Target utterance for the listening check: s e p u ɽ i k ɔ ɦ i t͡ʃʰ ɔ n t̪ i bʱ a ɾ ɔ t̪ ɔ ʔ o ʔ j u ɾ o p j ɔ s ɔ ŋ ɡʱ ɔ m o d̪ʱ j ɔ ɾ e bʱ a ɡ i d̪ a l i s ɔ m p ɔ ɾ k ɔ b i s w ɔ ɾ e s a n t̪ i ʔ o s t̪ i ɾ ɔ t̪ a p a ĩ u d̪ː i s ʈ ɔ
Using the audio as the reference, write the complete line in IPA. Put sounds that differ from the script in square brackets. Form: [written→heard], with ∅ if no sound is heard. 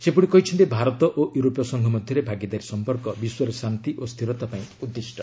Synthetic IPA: s e p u ɽ i k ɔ ɦ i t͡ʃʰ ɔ n t̪ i bʱ a ɾ ɔ t̪ ɔ ʔ o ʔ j u ɾ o p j ɔ s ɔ ŋ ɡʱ ɔ m [o→ɔ] d̪ʱ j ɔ ɾ e bʱ a ɡ i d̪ a [l→ɾ] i s ɔ m p ɔ ɾ k ɔ b i s w ɔ ɾ e s a n t̪ i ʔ o s [t̪→t̪ʰ] i ɾ ɔ t̪ a p a ĩ u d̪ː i s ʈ ɔ